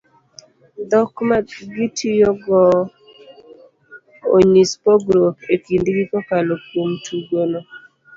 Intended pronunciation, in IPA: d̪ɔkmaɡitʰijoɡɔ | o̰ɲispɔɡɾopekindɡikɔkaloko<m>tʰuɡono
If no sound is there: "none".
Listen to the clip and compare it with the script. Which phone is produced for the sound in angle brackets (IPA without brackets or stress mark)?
m